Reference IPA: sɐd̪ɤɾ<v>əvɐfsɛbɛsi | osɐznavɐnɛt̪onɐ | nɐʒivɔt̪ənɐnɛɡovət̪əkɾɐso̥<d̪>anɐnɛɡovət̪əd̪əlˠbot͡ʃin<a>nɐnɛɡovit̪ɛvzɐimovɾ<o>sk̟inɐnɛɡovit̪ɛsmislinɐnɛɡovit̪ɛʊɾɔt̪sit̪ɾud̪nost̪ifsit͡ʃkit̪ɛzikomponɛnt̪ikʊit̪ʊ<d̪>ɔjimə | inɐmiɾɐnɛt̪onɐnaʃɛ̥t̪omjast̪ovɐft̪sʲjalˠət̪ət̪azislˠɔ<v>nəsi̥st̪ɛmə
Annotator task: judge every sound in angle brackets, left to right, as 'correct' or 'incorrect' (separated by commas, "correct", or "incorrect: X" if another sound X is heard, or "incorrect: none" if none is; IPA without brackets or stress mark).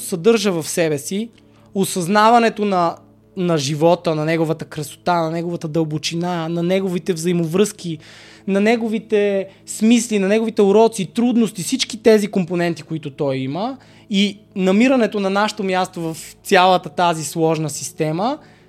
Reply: incorrect: ʒ, incorrect: t̪, correct, incorrect: ɤ, incorrect: t̪, incorrect: ʒ